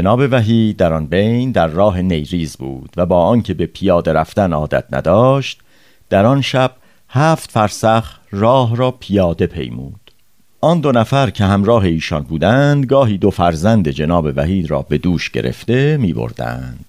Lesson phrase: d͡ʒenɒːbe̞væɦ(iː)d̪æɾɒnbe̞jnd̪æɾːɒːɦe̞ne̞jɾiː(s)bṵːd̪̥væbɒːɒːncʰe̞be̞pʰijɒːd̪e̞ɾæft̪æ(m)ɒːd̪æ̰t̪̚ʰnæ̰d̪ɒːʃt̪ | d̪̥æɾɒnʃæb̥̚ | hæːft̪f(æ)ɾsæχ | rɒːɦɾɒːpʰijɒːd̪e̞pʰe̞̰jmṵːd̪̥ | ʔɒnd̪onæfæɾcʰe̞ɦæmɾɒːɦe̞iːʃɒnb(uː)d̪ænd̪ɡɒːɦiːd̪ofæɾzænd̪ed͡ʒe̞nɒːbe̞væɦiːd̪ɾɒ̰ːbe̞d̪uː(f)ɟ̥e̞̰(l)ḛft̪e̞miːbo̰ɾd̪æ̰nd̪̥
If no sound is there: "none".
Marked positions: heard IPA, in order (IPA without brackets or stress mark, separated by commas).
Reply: iː, z, n, æ, uː, ʃ, ɾ